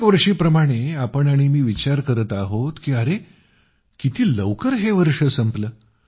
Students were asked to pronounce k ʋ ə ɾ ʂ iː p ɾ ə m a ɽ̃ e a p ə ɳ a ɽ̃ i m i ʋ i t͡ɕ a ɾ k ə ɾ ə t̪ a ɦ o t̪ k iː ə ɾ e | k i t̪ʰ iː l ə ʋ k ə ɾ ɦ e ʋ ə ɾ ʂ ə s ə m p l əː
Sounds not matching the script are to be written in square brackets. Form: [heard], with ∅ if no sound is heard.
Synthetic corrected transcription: k ʋ ə ɾ ʂ iː p ɾ ə m a ɽ̃ e a p ə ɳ a ɽ̃ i m [iː] ʋ i t͡ɕ a ɾ k ə ɾ ə t̪ a ɦ o t̪ k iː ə ɾ e | k i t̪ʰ iː l ə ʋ k ə ɾ ɦ e ʋ ə ɾ ʂ ə s ə m p l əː